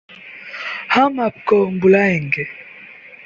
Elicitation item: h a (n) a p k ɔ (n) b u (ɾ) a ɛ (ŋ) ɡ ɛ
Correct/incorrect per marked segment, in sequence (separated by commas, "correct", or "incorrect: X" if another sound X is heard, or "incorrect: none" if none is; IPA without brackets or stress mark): incorrect: m, incorrect: m, incorrect: l, correct